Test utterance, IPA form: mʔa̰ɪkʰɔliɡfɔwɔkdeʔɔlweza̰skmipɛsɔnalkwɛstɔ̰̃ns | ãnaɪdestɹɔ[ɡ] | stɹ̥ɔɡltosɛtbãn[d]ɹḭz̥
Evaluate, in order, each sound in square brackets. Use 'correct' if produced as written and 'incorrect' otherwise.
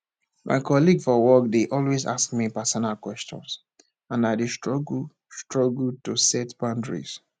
correct, correct

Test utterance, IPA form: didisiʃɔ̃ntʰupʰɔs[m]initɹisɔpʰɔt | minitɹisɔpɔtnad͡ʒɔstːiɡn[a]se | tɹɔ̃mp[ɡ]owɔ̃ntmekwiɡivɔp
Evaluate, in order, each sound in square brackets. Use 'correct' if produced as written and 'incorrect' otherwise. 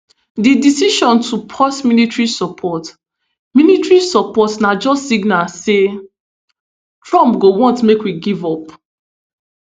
correct, correct, correct

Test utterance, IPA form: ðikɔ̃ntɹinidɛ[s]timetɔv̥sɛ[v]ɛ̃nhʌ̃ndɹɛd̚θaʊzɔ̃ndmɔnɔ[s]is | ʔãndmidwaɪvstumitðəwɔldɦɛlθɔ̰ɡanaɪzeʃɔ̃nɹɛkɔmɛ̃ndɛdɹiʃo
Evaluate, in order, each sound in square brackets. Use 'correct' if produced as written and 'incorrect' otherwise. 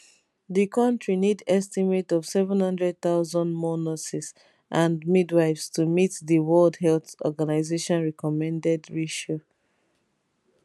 correct, correct, correct

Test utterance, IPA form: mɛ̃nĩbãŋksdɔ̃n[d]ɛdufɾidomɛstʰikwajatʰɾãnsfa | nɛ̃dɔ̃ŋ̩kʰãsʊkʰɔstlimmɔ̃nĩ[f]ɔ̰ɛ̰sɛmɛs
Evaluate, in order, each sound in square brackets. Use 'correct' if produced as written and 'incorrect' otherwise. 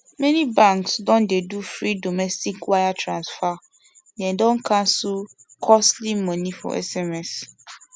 correct, correct

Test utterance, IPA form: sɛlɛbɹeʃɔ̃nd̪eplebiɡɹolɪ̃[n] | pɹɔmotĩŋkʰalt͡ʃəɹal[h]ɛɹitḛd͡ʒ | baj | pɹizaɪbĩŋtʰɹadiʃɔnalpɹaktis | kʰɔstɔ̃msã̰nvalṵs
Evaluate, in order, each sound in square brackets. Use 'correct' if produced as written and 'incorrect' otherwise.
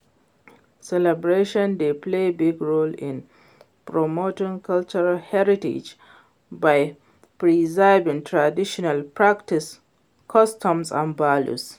correct, correct

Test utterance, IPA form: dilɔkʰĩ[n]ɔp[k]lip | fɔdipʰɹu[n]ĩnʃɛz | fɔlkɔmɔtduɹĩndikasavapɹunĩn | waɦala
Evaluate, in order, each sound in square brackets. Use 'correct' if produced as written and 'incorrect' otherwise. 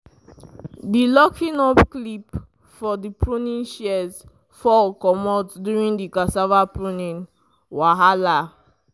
correct, correct, correct

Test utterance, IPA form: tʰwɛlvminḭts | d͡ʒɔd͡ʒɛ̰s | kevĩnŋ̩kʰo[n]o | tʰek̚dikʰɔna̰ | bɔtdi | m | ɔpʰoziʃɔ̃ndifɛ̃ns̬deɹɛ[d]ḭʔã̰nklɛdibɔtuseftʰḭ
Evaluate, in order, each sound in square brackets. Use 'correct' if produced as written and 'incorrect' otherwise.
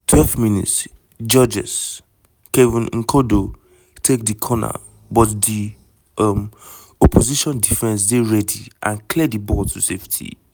incorrect, correct

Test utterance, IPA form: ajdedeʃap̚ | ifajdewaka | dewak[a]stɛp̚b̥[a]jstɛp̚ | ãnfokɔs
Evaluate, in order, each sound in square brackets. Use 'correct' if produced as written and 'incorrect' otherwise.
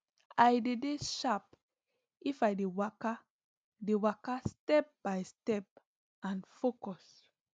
correct, correct

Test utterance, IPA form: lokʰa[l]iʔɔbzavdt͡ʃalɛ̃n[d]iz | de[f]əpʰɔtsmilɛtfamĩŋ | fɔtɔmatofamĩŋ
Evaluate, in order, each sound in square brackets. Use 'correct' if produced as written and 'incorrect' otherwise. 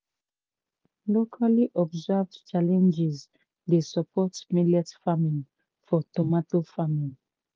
correct, incorrect, incorrect

